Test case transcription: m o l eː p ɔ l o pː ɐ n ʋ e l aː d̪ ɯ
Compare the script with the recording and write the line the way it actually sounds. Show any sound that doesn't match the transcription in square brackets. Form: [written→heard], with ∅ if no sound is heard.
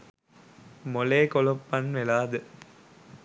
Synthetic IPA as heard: m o l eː [p→k] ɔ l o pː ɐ n ʋ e l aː d̪ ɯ